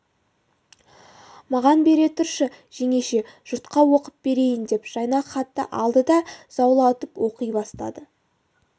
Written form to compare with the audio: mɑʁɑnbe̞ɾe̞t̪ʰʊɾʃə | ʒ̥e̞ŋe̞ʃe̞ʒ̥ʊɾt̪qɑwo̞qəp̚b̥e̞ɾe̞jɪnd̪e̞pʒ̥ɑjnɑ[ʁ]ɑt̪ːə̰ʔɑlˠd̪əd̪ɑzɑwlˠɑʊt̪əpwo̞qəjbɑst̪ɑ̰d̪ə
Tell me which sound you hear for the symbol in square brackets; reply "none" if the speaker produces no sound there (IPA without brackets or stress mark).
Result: χ